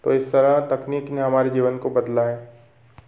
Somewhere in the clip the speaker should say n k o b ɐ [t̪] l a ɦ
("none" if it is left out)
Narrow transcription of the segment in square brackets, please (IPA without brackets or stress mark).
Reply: d̪